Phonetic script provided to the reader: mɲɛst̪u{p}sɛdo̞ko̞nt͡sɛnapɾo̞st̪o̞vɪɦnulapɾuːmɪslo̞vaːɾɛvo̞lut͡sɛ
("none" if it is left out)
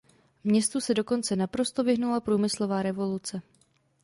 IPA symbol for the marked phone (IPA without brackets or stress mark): none